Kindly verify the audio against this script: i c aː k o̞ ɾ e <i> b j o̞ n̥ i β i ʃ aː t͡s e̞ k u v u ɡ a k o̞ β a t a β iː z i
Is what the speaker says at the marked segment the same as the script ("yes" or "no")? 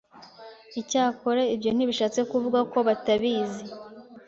yes